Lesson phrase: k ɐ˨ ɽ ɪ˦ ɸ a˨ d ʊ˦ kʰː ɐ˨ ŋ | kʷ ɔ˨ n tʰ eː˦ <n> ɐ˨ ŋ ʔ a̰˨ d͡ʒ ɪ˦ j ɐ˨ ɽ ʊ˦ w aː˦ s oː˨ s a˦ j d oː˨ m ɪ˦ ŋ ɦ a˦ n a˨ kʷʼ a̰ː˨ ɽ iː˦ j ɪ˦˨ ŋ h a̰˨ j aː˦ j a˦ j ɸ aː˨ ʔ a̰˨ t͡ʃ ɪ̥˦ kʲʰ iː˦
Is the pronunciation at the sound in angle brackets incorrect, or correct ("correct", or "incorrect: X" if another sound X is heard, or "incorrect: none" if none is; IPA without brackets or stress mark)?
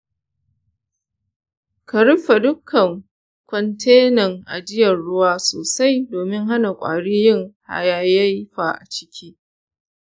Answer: correct